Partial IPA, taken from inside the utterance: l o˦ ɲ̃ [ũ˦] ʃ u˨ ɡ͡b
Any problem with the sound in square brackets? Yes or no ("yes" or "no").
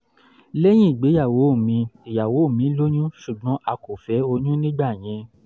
no